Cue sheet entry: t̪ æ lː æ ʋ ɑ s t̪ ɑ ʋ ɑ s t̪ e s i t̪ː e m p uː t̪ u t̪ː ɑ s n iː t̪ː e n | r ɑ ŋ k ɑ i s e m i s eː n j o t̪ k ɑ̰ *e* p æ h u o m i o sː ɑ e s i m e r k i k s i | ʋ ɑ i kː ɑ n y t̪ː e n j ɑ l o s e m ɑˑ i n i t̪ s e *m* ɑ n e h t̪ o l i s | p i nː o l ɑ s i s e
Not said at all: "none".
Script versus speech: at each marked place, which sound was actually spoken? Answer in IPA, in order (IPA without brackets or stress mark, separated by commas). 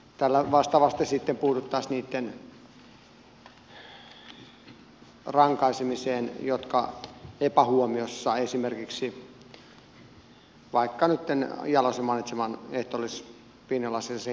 e, m